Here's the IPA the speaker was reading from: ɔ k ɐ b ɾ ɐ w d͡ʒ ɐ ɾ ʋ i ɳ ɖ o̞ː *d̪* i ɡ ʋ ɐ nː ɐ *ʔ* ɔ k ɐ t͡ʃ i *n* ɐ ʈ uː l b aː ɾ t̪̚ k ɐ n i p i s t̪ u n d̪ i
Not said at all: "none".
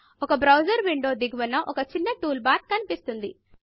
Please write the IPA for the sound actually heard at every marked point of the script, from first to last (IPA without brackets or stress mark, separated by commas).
d̪, ʔ, nː